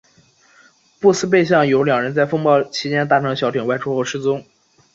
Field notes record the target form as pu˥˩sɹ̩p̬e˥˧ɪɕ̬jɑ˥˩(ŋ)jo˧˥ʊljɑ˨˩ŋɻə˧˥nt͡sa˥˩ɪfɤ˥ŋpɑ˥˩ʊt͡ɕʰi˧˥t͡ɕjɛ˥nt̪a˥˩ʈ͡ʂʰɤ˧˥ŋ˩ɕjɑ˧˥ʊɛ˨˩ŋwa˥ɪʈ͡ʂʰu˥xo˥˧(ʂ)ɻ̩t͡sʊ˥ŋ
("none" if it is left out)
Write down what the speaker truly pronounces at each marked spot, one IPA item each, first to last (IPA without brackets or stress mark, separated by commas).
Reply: ŋ, ʂ